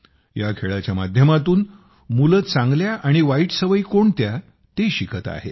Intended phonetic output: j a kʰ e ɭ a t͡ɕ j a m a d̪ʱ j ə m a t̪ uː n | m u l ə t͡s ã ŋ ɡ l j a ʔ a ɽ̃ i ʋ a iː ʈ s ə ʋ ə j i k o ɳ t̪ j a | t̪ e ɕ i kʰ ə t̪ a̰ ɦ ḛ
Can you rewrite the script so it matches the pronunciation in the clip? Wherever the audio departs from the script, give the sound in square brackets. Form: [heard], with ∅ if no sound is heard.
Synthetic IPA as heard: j a kʰ e ɭ a t͡ɕ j a m a d̪ʱ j ə m a t̪ uː n | m u l ə t͡s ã ŋ ɡ l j a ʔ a ɽ̃ i ʋ a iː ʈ s ə ʋ ə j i k o ɳ t̪ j a | t̪ e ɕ i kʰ ə t̪ a̰ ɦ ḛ